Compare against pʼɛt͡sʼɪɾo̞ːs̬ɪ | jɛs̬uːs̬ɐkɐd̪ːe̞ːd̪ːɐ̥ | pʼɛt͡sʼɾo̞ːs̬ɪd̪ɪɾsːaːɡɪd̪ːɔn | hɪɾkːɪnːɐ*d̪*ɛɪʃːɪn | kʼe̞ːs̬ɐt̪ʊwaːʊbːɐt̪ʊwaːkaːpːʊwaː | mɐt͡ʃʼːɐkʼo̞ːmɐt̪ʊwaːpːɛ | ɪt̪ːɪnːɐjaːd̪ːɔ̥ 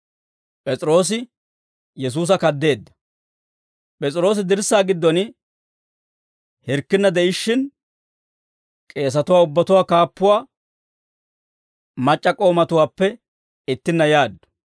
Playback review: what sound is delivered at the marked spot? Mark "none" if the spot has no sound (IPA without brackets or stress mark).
d̪